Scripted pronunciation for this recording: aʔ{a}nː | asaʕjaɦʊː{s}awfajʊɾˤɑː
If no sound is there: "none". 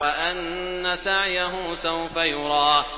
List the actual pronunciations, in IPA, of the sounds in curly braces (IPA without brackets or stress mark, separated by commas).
a, s